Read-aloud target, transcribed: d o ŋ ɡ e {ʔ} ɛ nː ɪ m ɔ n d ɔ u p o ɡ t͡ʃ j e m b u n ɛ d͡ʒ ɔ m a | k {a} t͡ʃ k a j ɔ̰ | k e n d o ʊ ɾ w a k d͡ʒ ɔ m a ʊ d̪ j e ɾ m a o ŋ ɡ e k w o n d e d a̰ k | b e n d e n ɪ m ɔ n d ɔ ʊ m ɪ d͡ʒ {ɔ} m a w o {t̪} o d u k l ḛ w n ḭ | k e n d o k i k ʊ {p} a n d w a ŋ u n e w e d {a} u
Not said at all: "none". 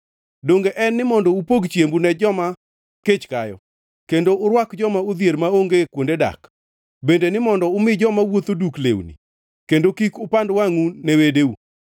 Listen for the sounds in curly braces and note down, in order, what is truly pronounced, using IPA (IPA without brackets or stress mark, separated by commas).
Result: ʔ, e, ɔ, t̪, p, e